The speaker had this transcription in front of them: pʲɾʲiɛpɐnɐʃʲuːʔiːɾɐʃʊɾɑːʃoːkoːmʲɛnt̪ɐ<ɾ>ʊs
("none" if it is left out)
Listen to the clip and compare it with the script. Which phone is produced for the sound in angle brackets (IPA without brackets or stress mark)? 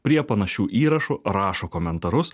ɾ